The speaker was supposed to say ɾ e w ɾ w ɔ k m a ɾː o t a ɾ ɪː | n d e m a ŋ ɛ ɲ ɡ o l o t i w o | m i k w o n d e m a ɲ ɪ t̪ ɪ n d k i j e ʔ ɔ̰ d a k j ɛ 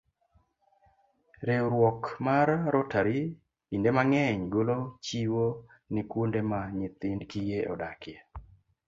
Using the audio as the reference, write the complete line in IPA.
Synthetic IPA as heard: ɾ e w ɾ w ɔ k m a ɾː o t a ɾ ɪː | n d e m a ŋ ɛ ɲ ɡ o l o t͡ʃ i w o | n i k w o n d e m a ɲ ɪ t̪ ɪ n d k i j e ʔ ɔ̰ d a k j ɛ